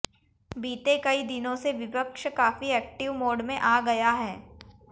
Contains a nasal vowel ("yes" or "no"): yes